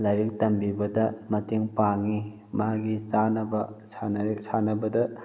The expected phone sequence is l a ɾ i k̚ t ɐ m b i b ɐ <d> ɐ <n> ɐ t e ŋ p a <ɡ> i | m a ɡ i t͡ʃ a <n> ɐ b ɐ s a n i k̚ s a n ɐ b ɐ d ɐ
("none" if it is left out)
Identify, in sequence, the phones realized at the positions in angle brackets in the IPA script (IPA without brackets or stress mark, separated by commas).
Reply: d, m, ŋ, n